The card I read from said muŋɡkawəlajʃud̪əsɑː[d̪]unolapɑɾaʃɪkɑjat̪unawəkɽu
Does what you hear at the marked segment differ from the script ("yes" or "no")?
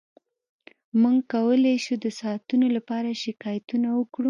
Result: yes